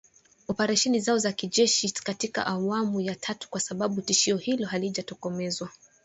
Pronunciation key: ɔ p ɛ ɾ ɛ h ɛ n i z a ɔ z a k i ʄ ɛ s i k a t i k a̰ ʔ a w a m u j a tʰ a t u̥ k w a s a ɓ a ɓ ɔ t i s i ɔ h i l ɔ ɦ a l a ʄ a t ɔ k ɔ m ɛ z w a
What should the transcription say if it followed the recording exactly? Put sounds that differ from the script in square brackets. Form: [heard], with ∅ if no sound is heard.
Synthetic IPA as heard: ɔ p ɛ ɾ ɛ [ʃ] ɛ n i z a ɔ z a k i ʄ ɛ [ʃ] i k a t i k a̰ ʔ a w a m u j a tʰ a t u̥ k w a s a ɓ a ɓ [u] t i [ʃ] i ɔ h i l ɔ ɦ a l [i] ʄ a t ɔ k ɔ m ɛ z w a

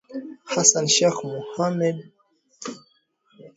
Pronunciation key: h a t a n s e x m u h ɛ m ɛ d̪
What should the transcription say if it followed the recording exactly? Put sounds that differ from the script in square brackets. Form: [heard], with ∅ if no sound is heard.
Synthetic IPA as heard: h a [s] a n [ʃ] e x m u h [a] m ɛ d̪

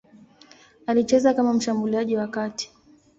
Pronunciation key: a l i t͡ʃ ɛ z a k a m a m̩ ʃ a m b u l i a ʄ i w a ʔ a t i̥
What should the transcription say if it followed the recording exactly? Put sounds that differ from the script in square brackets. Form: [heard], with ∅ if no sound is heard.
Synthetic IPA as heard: a l i t͡ʃ ɛ z a k a m a m̩ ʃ a m b u l i a ʄ i w a [k] a t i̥

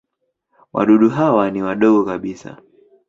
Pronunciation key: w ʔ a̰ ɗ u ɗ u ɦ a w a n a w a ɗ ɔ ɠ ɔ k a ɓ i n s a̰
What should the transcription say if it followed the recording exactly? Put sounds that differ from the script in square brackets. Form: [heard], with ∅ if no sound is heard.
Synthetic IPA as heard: w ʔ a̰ ɗ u ɗ u ɦ a w a n [i] w a ɗ ɔ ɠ ɔ k a ɓ i [∅] s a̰

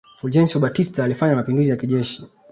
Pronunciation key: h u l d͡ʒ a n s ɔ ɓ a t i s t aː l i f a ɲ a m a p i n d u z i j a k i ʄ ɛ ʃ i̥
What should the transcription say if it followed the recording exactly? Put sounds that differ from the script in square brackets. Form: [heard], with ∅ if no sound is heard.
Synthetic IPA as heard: [f] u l d͡ʒ [ɛ] n s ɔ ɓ a t i s t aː l i f a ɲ a m a p i n d u z i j a k i ʄ ɛ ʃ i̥

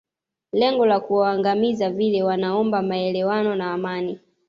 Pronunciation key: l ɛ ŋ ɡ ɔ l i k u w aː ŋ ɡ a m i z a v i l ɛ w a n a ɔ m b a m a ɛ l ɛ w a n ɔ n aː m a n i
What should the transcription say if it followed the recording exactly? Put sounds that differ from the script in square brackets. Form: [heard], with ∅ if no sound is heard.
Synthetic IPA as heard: l ɛ ŋ ɡ ɔ l [a] k u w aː ŋ ɡ a m i z a v i l ɛ w a n a ɔ m b a m a ɛ l ɛ w a n ɔ n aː m a n i

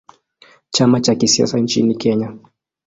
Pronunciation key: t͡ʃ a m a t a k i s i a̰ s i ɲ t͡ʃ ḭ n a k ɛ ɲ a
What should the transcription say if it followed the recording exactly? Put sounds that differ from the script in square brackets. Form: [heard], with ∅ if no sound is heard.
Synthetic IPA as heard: t͡ʃ a m a [t͡ʃ] a k i s i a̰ s [a] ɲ t͡ʃ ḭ n [i] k ɛ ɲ a

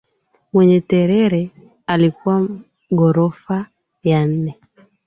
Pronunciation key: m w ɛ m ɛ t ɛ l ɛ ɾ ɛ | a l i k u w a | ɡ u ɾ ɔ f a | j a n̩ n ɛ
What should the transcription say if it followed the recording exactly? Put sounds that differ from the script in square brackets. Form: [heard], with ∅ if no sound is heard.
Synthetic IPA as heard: m w ɛ [ɲ] ɛ t ɛ [ɾ] ɛ ɾ ɛ | a l i k u w a | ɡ [ɔ] ɾ ɔ f a | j a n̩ n ɛ

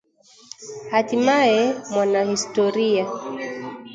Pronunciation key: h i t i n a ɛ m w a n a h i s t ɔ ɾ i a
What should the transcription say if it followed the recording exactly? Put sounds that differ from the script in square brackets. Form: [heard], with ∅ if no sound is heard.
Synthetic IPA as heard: h [a] t i [m] a ɛ m w a n a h i s t ɔ ɾ i a

